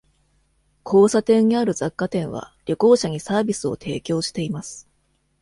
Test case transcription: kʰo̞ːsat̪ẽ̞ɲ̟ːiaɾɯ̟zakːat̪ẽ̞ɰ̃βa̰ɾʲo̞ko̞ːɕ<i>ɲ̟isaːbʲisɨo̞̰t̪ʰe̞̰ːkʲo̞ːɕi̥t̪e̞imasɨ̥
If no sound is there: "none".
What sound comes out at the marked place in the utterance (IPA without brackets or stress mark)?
a